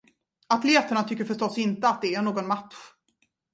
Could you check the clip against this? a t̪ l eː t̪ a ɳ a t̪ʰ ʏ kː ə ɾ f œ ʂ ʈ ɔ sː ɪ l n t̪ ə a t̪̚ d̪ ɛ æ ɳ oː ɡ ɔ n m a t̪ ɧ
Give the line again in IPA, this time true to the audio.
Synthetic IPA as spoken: a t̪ l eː t̪ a ɳ a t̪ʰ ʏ kː ə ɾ f œ ʂ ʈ ɔ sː ɪ n t̪ ə a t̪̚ d̪ ɛ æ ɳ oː ɡ ɔ n m a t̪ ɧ